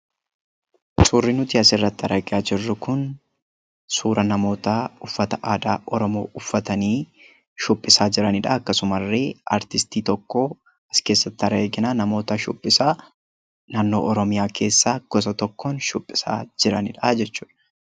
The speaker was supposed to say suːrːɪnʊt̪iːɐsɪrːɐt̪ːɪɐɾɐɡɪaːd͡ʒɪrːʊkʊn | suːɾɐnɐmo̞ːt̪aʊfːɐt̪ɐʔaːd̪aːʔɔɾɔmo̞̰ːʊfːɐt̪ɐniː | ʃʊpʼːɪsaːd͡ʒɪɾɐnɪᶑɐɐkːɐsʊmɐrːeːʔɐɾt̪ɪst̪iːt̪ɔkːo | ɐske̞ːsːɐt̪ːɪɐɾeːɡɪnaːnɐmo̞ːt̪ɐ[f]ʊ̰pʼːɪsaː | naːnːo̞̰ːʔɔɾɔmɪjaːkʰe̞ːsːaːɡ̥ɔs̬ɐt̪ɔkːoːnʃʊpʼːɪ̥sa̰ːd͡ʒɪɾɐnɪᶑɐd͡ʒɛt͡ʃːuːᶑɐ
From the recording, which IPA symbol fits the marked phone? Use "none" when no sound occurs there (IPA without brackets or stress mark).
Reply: ʃ